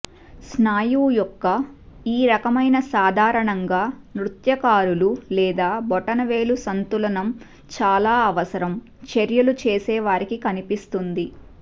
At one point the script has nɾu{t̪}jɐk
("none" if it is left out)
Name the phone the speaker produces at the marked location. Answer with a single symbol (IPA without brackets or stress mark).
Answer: t̪